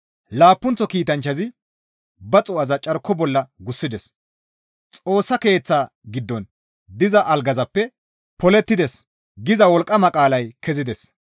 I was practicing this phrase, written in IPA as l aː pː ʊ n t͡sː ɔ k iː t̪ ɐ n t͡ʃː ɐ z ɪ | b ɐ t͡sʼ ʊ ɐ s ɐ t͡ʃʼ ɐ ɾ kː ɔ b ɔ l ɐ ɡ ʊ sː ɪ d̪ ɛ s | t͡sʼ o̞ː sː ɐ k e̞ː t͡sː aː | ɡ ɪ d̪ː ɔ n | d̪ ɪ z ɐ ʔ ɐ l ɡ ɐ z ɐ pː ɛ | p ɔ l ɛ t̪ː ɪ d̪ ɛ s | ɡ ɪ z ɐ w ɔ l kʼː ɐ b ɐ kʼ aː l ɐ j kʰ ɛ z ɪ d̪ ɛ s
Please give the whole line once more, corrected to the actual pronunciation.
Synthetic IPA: l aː pː ʊ n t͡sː ɔ k iː t̪ ɐ n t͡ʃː ɐ z ɪ | b ɐ t͡sʼ ʊ ɐ z ɐ t͡ʃʼ ɐ ɾ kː ɔ b ɔ lː ɐ ɡ ʊ sː ɪ d̪ ɛ s | t͡sʼ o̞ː sː ɐ k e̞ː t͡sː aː | ɡ ɪ d̪ː ɔ n | d̪ ɪ z ɐ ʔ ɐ l ɡ ɐ z ɐ pː ɛ | p ɔ l ɛ t̪ː ɪ d̪ ɛ s | ɡ ɪ z ɐ w ɔ l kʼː ɐ m ɐ kʼ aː l ɐ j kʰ ɛ z ɪ d̪ ɛ s